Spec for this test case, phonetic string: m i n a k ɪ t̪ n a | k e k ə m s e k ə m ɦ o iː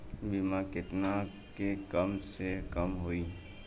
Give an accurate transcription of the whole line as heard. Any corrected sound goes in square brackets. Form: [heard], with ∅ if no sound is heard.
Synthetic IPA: [b] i [m] a k ɪ t̪ n a | k e k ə m s e k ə m ɦ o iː